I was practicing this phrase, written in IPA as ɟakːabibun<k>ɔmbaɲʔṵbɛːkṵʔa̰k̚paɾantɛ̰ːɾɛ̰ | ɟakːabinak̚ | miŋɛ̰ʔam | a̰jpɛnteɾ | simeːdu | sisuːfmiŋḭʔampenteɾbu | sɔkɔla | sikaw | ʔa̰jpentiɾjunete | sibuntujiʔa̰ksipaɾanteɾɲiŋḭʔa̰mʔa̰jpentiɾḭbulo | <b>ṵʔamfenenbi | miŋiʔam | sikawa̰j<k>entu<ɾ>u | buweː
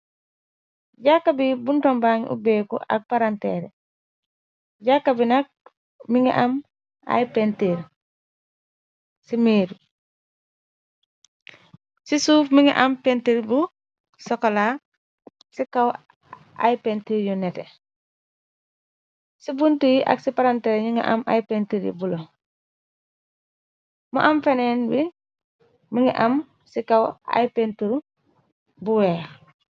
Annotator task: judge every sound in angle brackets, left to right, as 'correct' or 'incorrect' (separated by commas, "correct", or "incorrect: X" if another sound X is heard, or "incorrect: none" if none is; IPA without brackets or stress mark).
incorrect: t, incorrect: m, incorrect: p, correct